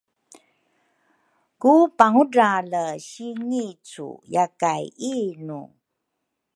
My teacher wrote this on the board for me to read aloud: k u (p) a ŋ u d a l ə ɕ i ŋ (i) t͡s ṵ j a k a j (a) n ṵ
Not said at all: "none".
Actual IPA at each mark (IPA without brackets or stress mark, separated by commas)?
p, i, i